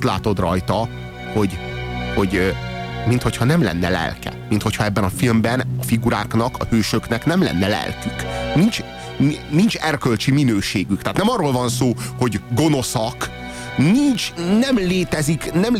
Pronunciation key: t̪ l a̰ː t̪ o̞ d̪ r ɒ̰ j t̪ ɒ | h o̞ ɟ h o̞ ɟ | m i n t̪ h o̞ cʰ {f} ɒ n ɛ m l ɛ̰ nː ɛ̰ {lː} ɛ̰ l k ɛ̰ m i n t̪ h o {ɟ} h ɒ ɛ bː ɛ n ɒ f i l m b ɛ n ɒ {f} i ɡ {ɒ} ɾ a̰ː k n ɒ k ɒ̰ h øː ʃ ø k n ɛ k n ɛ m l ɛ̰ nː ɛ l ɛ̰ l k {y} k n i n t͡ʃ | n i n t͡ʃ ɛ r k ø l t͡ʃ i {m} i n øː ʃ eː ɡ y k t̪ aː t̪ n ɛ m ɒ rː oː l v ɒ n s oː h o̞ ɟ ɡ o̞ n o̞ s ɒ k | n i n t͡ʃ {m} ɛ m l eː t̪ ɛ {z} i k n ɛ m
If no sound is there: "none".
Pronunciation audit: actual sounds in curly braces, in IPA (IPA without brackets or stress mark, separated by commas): h, l, c, f, u, y, m, n, z